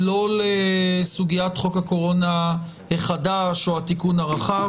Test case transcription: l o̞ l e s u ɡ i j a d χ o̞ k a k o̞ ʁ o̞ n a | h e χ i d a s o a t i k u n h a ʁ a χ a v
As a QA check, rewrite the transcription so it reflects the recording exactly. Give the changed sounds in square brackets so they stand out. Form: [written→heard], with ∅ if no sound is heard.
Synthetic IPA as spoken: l o̞ l e s u ɡ i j a [d→t] χ o̞ k a k o̞ ʁ o̞ n a | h e χ [i→a] d a [s→ʃ] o a t i k u n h a ʁ a χ a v